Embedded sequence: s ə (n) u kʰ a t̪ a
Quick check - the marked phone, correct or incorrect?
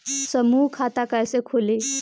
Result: incorrect